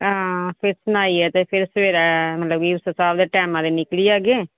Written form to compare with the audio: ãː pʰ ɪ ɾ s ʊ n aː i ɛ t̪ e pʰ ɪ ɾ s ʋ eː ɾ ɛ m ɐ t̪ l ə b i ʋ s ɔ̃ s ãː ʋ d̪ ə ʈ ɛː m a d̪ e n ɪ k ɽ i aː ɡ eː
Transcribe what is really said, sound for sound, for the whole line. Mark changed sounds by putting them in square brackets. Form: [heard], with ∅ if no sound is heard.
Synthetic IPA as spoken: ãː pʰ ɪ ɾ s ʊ n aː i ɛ t̪ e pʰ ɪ ɾ s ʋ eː ɾ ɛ m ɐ t̪ l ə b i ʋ s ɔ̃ s [aː] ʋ d̪ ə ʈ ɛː m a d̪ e n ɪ k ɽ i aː ɡ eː